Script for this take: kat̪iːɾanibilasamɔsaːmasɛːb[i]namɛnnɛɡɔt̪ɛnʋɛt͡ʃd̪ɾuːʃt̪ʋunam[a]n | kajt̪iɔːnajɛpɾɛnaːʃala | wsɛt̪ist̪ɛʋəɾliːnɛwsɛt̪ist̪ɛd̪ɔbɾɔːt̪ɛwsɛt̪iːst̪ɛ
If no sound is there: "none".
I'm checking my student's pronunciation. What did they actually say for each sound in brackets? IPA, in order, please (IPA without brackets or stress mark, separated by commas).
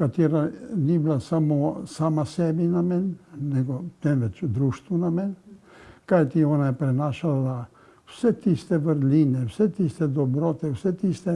i, ɛ